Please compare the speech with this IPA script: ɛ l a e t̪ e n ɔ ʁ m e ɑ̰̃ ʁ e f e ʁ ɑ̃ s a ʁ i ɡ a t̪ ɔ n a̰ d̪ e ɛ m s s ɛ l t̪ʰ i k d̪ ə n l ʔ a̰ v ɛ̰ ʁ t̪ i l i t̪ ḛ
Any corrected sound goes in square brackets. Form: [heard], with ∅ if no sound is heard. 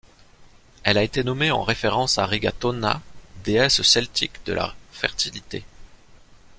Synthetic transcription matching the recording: ɛ l a e t̪ e n ɔ [∅] m e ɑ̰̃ ʁ e f e ʁ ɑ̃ s a ʁ i ɡ a t̪ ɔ n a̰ d̪ e ɛ [∅] s s ɛ l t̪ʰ i k d̪ ə [∅] l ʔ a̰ [f] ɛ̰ ʁ t̪ i l i t̪ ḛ

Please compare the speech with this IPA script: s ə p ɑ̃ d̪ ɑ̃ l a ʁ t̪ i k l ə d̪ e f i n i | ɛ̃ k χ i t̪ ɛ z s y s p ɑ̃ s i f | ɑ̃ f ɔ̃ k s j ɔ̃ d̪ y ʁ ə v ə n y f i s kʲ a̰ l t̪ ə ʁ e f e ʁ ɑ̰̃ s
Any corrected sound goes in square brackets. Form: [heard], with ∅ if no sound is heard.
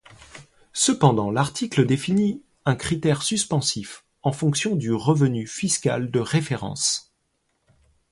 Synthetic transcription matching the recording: s ə p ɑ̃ d̪ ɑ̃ l a ʁ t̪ i k l ə d̪ e f i n i | ɛ̃ k χ i t̪ ɛ [ʁ] s y s p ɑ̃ s i f | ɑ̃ f ɔ̃ k s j ɔ̃ d̪ y ʁ ə v ə n y f i s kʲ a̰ l [d̪] ə ʁ e f e ʁ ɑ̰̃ s

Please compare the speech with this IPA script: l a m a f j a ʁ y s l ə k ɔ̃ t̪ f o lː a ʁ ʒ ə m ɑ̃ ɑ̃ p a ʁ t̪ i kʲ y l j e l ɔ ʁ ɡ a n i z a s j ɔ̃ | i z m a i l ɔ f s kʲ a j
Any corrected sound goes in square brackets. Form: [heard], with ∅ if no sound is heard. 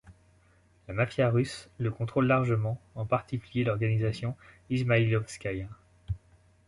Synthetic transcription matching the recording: l a m a f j a ʁ y s l ə k ɔ̃ t̪ [χ] o lː a ʁ ʒ ə m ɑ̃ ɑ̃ p a ʁ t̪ i kʲ y l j e l ɔ ʁ ɡ a n i z a s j ɔ̃ | i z m a i l ɔ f s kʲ a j

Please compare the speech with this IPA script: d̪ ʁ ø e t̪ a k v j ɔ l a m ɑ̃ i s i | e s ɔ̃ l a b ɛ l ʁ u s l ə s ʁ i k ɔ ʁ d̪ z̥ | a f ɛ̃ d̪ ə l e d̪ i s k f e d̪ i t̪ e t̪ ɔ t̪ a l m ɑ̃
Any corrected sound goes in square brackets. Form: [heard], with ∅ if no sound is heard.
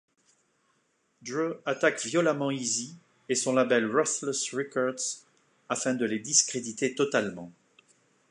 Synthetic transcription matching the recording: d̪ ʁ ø [a] t̪ a k v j ɔ l a m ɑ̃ i [z] i | e s ɔ̃ l a b ɛ l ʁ [ɔ] s l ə s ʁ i k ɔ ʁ d̪ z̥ | a f ɛ̃ d̪ ə l e d̪ i s k [χ] e d̪ i t̪ e t̪ ɔ t̪ a l m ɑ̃

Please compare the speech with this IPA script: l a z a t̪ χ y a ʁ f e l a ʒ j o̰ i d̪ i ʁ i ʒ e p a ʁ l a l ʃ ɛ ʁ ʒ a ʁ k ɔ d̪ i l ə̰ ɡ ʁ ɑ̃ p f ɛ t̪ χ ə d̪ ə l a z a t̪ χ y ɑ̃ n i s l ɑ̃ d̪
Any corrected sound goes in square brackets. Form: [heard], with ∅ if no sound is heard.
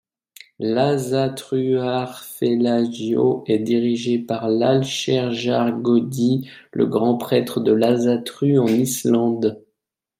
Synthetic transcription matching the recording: l a z a t̪ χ y a ʁ f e l a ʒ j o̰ [ɛ] d̪ i ʁ i ʒ e p a ʁ l a l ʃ ɛ ʁ ʒ a ʁ [ɡ] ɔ d̪ i l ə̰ ɡ ʁ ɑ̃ p [χ] ɛ t̪ χ ə d̪ ə l a z a t̪ χ y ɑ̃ n i s l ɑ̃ d̪

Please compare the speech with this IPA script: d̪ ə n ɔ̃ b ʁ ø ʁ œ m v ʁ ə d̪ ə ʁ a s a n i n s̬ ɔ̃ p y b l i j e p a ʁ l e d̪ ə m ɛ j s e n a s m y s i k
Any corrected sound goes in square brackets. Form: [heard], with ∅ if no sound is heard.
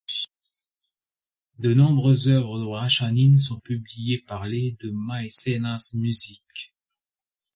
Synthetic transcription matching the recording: d̪ ə n ɔ̃ b ʁ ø [z] œ [∅] v ʁ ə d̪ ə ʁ a [ʃ] a n i n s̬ ɔ̃ p y b l i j e p a ʁ l e d̪ ə m [a] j s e n a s m y [z] i k

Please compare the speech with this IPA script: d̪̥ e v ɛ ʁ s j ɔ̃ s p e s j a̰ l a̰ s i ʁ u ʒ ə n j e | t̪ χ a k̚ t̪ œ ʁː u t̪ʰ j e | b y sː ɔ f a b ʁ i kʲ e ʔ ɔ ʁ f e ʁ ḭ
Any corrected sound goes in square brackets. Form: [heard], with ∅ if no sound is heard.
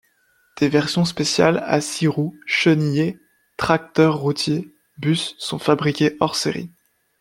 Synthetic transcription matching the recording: d̪̥ e v ɛ ʁ s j ɔ̃ s p e s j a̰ l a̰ s i ʁ u [ʃ] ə n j e | t̪ χ a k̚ t̪ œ ʁː u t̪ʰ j e | b y sː [ɔ̃] f a b ʁ i kʲ e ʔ ɔ ʁ [s] e ʁ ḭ

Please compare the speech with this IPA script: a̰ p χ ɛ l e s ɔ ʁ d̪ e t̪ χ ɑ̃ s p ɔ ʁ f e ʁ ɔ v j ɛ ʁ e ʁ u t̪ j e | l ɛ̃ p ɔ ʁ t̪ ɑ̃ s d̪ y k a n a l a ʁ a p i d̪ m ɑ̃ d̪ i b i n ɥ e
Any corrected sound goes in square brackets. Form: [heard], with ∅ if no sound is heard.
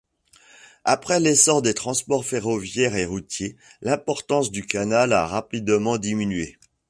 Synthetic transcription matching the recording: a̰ p χ ɛ l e s ɔ ʁ d̪ e t̪ χ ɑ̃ s p ɔ ʁ f e ʁ ɔ v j ɛ ʁ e ʁ u t̪ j e | l ɛ̃ p ɔ ʁ t̪ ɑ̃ s d̪ y k a n a l a ʁ a p i d̪ m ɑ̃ d̪ i [m] i n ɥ e

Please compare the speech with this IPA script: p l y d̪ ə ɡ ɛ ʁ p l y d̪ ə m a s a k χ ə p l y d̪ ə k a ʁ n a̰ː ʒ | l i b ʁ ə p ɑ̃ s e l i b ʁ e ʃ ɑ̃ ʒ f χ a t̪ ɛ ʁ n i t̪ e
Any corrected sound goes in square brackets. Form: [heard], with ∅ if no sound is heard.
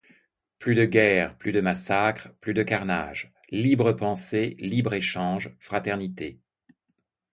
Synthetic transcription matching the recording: p l y d̪ ə ɡ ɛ ʁ p l y d̪ ə m a s a k χ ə p l y d̪ ə k a ʁ n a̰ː ʒ | l i b ʁ ə p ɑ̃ s e l i b ʁ e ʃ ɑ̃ ʒ f χ a t̪ ɛ ʁ n i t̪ e

